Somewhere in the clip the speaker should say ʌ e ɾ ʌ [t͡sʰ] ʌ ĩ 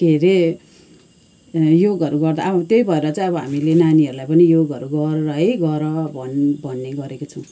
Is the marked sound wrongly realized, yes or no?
yes